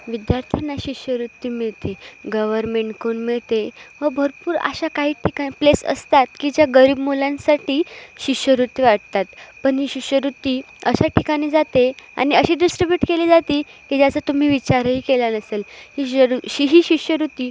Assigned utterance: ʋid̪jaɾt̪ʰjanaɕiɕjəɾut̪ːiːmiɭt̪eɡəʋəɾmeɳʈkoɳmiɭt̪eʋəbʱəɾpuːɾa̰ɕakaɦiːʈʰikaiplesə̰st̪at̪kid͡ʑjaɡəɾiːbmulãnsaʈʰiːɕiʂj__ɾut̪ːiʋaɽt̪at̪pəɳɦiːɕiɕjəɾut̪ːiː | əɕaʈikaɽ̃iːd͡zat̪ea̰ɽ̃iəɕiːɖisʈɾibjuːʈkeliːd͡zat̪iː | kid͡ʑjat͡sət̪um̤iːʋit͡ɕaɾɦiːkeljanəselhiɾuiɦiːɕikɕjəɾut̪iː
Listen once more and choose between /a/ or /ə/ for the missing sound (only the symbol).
ə